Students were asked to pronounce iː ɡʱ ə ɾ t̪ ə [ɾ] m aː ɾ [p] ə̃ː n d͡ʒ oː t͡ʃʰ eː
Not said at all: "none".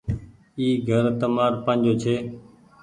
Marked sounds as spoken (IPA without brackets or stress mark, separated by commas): none, p